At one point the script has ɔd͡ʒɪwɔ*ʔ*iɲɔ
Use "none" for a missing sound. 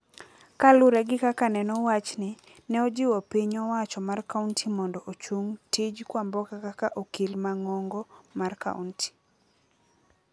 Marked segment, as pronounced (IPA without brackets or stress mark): p